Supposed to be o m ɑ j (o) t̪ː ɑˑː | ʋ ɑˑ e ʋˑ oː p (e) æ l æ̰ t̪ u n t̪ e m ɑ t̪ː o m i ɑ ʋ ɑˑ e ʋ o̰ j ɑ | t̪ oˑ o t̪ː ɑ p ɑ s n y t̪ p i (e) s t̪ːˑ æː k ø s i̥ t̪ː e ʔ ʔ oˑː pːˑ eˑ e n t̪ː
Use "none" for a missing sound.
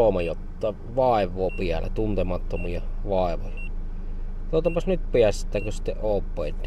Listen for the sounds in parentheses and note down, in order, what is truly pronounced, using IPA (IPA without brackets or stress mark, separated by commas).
o, i, æ